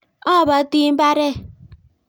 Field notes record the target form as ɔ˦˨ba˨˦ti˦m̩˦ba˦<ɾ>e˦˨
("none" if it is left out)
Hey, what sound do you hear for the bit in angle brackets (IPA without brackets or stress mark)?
ɾ